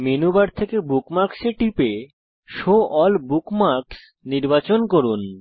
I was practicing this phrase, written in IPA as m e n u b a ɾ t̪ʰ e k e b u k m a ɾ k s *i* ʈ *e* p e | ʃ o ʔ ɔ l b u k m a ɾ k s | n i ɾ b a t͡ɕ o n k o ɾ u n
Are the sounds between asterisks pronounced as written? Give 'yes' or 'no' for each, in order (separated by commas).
no, no